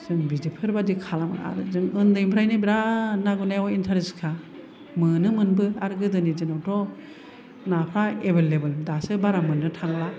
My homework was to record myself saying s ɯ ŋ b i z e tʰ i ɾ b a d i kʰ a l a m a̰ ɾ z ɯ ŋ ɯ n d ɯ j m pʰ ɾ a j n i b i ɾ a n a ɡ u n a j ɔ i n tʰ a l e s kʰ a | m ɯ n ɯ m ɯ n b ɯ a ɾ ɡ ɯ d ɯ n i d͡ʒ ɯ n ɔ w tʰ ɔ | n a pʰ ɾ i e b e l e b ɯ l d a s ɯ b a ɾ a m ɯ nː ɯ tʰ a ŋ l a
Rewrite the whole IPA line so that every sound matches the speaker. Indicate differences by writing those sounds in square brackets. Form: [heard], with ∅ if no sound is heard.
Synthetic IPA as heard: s ɯ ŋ b i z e [pʰ] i ɾ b a d i kʰ a l a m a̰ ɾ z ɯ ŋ ɯ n d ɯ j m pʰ ɾ a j n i b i ɾ a n a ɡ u n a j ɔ i n tʰ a [ɾ] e s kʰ a | m ɯ n ɯ m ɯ n b ɯ a ɾ ɡ ɯ d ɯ n i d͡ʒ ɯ n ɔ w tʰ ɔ | n a pʰ ɾ [a] e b e l e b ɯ l d a s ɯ b a ɾ a m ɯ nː ɯ tʰ a ŋ l a